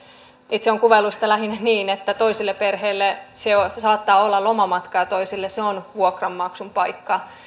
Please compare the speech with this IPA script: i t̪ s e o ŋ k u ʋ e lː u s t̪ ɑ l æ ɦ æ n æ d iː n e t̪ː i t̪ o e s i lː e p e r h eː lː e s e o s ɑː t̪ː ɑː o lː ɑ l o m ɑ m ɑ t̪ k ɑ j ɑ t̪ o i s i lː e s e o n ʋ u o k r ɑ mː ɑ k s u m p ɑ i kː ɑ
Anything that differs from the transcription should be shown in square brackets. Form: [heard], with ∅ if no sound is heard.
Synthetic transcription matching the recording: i t̪ s e o ŋ k u ʋ e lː u s t̪ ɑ l æ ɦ [i] n æ [n] iː n e t̪ː [æ] t̪ o [i] s i lː e p e r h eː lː e s e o s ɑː t̪ː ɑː o lː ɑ l o m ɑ m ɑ t̪ k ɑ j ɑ t̪ o i s i lː e s e o n ʋ u o k r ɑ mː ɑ k s u m p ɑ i kː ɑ